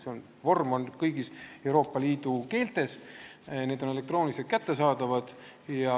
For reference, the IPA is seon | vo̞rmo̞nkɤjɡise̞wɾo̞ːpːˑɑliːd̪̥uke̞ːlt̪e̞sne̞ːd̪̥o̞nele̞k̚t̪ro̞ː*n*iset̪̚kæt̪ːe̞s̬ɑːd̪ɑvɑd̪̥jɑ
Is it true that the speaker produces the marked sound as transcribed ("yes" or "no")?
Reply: yes